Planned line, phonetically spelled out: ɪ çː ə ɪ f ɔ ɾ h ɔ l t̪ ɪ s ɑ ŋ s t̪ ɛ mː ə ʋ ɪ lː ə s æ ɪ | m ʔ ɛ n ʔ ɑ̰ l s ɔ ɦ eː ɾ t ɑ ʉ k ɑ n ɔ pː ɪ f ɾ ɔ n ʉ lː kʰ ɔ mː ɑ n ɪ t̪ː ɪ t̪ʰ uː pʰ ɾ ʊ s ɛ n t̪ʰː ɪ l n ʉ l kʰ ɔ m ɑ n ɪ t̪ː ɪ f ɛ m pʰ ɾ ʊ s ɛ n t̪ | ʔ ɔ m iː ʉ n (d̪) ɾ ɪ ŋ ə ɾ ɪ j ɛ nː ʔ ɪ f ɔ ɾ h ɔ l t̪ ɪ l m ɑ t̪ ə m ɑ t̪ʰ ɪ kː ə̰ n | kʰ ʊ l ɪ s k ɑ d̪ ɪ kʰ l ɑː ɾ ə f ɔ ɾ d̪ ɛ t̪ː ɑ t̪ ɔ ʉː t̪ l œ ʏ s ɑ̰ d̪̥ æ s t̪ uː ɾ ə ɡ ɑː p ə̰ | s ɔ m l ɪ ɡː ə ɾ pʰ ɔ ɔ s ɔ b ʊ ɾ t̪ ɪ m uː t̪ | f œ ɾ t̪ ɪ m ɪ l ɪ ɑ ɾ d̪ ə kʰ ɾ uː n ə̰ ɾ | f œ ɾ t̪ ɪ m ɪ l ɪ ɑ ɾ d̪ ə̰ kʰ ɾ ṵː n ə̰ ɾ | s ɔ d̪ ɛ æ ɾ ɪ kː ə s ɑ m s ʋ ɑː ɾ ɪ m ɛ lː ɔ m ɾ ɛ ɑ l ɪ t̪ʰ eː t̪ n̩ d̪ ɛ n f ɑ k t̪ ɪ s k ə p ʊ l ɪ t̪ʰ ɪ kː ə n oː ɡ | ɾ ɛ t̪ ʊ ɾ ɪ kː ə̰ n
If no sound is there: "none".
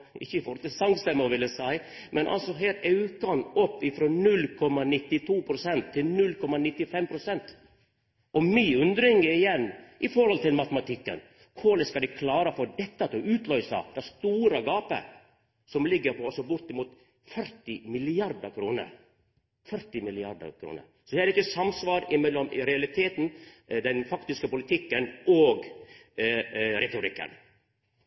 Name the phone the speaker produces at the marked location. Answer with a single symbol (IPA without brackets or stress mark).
d̪